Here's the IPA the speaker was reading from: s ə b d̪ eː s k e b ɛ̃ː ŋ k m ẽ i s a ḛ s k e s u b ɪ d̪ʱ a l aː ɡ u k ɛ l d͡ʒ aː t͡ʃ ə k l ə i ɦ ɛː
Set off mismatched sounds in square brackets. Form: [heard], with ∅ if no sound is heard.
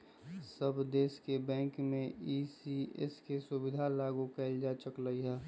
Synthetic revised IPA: s ə b d̪ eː s k e b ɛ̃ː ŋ k m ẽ i s [i] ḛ s k e s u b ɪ d̪ʱ a l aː ɡ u k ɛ l d͡ʒ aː t͡ʃ ə k l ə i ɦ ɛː